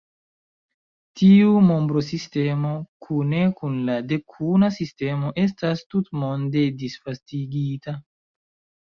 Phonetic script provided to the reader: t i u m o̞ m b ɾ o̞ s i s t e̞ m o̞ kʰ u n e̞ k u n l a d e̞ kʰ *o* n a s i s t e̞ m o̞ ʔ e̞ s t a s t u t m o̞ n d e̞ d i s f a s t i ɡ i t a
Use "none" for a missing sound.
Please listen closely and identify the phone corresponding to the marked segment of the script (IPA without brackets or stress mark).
u